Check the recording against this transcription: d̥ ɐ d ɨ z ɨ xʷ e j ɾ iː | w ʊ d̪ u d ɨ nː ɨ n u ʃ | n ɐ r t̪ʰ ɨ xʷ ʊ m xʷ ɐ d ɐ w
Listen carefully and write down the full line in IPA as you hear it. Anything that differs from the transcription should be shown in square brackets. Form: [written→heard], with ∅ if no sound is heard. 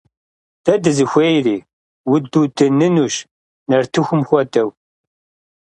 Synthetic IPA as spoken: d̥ ɐ d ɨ z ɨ xʷ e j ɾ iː | w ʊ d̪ u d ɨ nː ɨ n u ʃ | n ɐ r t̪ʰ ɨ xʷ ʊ m xʷ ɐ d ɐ w